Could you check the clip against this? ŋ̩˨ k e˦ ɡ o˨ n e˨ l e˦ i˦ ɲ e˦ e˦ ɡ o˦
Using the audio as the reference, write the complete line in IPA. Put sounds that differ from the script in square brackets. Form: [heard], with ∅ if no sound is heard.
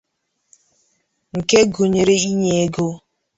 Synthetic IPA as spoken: ŋ̩˨ k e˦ ɡ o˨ [ɲ] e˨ [ɾ] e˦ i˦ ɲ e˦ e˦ ɡ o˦